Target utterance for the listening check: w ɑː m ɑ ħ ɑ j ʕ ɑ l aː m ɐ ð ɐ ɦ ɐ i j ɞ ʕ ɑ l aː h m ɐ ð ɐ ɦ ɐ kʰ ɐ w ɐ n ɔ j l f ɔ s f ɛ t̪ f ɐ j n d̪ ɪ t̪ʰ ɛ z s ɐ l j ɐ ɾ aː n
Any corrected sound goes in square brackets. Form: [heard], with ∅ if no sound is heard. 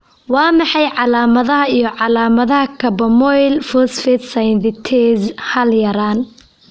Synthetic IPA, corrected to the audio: w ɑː m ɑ ħ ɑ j ʕ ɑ l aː m ɐ ð ɐ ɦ ɐ i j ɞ ʕ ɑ l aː [∅] m ɐ ð ɐ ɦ ɐ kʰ ɐ [b] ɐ [m] ɔ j l f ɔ s f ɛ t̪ [s] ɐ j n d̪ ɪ t̪ʰ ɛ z [h] ɐ l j ɐ ɾ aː n